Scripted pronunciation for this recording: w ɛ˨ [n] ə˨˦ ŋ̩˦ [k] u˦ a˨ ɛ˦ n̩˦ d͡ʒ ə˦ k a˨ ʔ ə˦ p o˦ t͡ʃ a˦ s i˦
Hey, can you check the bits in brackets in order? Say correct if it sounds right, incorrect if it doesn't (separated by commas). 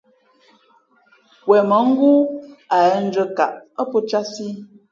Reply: incorrect, incorrect